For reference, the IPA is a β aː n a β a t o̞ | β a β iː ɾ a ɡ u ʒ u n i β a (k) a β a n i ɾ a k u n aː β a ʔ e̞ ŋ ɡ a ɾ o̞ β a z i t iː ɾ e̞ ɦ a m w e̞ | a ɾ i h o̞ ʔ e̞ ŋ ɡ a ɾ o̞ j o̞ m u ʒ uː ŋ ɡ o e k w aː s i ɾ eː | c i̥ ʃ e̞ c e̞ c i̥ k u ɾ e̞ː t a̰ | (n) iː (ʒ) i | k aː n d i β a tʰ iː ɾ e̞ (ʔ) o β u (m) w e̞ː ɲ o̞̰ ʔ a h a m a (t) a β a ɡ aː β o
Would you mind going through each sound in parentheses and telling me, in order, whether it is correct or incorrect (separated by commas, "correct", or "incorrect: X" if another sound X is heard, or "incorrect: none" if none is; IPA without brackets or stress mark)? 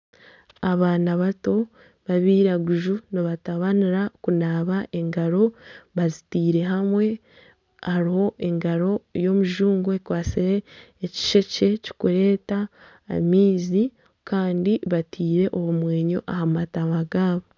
incorrect: t, incorrect: m, incorrect: z, correct, correct, correct